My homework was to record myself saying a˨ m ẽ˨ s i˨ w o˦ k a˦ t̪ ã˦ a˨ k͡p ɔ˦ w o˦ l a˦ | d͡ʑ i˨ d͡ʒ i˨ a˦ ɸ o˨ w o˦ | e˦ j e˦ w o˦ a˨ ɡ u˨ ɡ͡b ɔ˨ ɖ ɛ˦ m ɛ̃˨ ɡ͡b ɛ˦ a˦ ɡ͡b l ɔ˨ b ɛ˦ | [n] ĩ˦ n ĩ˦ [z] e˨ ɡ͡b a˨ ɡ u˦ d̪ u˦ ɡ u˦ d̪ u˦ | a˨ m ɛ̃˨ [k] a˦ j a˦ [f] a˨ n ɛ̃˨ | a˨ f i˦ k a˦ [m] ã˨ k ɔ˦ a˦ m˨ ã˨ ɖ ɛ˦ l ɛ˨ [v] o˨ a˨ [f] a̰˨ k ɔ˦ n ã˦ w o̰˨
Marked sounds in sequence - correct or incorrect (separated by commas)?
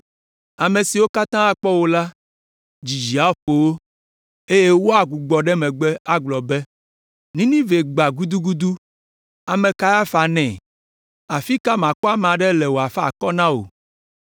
correct, incorrect, correct, correct, correct, incorrect, correct